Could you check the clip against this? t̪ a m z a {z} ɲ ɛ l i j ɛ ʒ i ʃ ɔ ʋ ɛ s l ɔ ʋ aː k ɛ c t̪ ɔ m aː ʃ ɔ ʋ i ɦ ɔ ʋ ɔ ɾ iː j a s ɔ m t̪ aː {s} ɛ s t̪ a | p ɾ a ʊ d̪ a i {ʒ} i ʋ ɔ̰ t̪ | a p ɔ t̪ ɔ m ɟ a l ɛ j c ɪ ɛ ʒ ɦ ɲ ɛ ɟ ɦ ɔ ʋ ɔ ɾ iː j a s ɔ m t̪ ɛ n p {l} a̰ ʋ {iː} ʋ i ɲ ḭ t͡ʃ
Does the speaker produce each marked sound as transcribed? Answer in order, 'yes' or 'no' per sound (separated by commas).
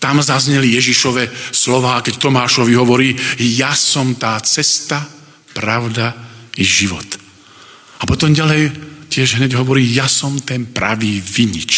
yes, no, yes, no, yes